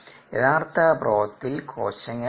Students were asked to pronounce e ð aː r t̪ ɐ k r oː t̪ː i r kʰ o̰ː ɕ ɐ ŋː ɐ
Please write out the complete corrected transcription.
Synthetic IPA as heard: e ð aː r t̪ ɐ p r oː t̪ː i l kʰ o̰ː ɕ ɐ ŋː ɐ